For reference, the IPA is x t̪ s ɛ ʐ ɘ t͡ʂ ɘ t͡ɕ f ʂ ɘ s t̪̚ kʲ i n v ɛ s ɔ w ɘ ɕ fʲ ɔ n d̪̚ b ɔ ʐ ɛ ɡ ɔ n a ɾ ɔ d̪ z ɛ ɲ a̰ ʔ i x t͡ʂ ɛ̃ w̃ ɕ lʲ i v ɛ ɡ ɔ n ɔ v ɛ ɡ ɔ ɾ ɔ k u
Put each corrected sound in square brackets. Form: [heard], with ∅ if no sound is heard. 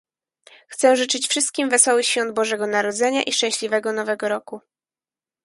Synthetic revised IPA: x t̪ s ɛ ʐ ɘ t͡ʂ ɘ t͡ɕ f ʂ ɘ s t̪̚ kʲ i [m] v ɛ s ɔ w ɘ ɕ fʲ ɔ n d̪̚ b ɔ ʐ ɛ ɡ ɔ n a ɾ ɔ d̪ z ɛ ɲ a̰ ʔ i [ʂ] t͡ʂ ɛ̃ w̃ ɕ lʲ i v ɛ ɡ ɔ n ɔ v ɛ ɡ ɔ ɾ ɔ k u